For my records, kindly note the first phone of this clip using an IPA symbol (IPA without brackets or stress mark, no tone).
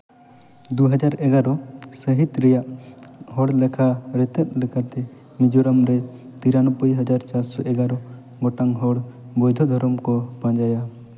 d̪